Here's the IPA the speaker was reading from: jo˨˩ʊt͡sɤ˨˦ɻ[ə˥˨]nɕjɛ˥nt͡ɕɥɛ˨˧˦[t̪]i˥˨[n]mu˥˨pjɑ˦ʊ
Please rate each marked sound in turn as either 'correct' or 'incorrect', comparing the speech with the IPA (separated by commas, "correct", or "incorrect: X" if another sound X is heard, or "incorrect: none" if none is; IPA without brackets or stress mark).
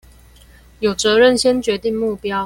correct, correct, incorrect: ŋ